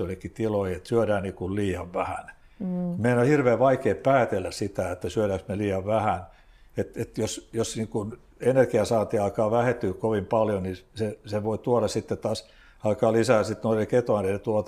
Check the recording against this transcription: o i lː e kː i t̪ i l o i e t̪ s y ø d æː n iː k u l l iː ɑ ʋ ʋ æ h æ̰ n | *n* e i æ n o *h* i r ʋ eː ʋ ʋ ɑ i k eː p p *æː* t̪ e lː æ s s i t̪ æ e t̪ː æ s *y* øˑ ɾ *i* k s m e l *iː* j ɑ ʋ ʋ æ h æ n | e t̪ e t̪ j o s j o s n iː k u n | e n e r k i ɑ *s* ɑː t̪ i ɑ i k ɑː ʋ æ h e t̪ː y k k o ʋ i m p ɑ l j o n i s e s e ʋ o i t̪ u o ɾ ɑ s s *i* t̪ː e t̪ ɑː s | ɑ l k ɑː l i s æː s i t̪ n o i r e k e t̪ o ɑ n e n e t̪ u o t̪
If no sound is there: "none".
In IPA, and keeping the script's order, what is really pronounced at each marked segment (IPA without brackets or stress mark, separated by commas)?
m, h, æː, y, æ, iː, s, i